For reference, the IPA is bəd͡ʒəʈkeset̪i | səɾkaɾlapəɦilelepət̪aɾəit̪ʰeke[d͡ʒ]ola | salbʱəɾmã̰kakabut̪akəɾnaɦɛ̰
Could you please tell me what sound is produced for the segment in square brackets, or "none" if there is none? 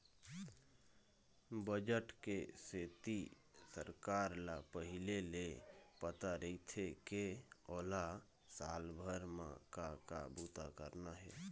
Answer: none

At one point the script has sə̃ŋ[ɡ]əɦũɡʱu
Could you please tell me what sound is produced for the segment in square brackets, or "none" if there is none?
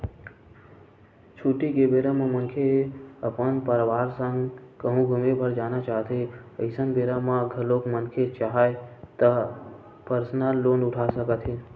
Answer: k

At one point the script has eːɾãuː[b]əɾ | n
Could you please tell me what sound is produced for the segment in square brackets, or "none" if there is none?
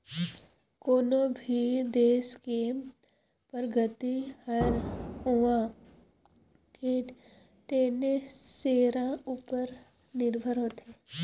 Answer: p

